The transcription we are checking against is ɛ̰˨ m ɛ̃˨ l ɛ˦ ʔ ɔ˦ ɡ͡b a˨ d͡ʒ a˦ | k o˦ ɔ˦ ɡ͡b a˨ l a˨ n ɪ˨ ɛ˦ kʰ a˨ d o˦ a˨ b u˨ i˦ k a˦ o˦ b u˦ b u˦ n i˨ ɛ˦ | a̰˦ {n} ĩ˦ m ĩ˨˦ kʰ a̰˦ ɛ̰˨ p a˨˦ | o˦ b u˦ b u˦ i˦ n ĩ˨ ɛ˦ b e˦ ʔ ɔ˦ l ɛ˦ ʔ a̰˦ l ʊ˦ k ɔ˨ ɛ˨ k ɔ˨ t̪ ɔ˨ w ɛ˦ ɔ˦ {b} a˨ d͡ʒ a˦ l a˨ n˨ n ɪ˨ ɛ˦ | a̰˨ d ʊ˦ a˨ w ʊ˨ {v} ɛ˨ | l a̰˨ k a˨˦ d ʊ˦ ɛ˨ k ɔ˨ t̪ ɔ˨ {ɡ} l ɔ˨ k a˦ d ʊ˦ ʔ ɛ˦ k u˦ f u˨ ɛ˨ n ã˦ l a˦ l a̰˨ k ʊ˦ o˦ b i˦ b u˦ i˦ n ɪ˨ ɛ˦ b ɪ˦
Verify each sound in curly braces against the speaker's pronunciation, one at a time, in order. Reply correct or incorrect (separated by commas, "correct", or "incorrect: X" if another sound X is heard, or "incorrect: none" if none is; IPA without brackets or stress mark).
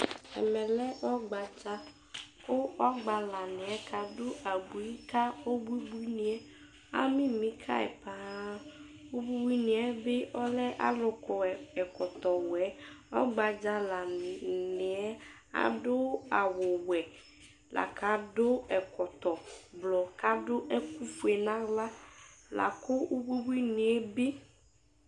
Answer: incorrect: m, incorrect: ɡ͡b, incorrect: w, incorrect: b